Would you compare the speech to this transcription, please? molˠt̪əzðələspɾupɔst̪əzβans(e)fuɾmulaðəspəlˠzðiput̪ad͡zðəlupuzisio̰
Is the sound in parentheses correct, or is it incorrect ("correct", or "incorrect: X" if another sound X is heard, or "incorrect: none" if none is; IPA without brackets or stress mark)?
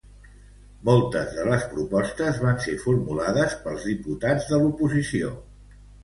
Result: correct